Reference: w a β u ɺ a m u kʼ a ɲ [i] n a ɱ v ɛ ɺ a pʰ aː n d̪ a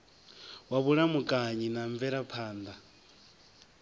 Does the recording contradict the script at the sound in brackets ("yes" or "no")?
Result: no